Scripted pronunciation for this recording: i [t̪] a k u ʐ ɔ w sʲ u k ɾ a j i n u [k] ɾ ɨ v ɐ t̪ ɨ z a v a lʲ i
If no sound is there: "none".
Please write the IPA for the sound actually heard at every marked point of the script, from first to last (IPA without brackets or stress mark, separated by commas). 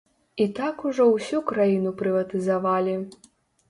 t̪, p